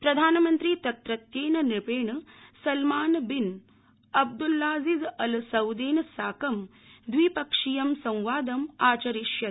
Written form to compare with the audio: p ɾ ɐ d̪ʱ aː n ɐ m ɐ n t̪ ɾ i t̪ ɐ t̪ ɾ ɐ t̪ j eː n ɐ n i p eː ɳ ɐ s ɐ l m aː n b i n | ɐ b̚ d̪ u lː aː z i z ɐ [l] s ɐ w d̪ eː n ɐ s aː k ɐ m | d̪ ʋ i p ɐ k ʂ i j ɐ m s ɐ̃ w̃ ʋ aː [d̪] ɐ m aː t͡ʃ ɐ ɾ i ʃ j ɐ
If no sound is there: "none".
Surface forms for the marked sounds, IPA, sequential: l, d̪

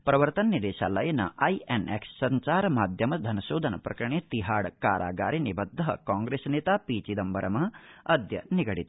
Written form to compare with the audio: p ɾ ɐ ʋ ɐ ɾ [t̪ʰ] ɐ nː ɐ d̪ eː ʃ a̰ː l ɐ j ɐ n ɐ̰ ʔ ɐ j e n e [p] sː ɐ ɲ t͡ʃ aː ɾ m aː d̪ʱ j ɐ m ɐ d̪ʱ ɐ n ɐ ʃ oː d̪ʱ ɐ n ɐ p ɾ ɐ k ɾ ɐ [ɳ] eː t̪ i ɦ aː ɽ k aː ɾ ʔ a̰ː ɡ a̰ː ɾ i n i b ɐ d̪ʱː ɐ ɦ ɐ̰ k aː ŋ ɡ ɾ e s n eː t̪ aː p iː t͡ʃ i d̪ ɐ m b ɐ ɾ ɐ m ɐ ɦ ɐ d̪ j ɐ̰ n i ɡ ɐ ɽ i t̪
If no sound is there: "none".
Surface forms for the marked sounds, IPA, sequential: t̪, k, ɳ

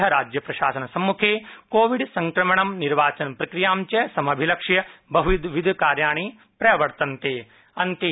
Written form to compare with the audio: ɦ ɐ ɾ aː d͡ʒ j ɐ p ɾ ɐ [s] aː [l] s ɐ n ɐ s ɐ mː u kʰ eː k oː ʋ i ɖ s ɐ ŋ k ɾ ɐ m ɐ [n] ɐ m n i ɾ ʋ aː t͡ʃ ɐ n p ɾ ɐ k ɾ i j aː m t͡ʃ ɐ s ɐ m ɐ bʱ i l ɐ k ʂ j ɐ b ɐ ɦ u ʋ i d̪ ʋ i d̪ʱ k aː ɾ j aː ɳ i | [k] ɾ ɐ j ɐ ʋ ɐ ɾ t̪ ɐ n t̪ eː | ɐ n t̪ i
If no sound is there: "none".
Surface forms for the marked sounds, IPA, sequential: ʃ, none, ɳ, p

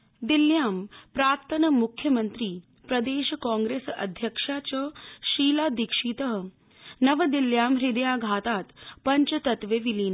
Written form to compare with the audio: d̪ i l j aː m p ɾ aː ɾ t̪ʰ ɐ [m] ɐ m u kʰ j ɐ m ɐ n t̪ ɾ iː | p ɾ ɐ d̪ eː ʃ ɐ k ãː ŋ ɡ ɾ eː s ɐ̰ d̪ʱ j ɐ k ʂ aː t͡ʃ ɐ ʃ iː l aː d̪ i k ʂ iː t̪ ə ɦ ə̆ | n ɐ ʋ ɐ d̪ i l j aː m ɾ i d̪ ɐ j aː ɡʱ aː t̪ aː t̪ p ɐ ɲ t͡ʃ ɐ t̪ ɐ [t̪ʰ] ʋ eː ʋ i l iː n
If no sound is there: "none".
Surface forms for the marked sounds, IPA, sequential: n, t̪

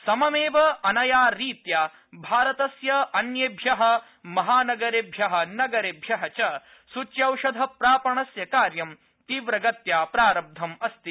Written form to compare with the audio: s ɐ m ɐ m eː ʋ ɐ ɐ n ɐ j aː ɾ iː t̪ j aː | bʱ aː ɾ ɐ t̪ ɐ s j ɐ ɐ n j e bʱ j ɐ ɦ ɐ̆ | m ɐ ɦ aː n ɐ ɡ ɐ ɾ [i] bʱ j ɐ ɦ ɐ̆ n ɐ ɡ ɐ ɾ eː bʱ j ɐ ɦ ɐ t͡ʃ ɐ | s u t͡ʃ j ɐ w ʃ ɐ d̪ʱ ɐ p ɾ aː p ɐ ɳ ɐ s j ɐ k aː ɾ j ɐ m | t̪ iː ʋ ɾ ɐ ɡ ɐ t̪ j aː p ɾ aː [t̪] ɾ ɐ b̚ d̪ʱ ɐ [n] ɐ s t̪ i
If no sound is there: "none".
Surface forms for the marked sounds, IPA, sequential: e, none, m

